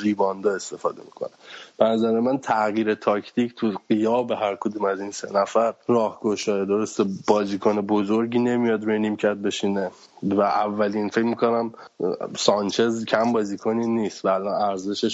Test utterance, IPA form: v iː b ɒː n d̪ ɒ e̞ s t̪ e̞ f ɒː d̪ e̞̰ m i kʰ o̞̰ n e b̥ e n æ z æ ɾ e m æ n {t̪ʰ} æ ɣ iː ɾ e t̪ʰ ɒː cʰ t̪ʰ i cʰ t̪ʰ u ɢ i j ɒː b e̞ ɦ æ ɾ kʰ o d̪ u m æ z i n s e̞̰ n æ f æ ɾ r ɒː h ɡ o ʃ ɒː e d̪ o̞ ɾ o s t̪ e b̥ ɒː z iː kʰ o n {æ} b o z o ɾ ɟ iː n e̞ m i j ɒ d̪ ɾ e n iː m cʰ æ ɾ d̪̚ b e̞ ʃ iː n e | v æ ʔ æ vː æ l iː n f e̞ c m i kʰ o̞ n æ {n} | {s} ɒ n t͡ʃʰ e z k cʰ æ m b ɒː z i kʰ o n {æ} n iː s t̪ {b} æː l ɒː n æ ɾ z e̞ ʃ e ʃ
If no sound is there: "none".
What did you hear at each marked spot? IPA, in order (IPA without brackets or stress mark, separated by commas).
t̪ʰ, e, m, s, i, v